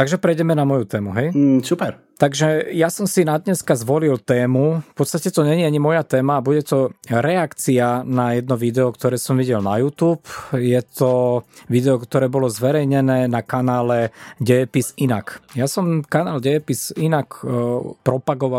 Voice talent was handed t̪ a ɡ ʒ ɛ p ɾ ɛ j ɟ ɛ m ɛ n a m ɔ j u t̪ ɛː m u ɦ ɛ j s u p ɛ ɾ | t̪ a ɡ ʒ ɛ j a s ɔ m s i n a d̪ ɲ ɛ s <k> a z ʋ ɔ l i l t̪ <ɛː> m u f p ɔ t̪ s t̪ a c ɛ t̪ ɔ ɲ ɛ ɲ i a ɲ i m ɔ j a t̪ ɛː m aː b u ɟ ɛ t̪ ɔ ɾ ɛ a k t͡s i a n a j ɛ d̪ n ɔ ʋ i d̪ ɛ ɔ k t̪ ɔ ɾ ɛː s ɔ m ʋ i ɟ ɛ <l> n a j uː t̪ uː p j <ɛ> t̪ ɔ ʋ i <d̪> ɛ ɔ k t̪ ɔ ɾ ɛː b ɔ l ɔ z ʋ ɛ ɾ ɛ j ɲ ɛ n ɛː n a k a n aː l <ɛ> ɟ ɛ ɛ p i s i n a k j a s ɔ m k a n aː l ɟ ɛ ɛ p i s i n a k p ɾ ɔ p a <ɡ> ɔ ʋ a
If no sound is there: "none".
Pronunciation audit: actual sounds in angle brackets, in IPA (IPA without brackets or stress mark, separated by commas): k, ɛː, l, ɛ, d̪, ɛ, ɡ